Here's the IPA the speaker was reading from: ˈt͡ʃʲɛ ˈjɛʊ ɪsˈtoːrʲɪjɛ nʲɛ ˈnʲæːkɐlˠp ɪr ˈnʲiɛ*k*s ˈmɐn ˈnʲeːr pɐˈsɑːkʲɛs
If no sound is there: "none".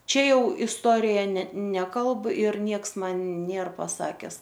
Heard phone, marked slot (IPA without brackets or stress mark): k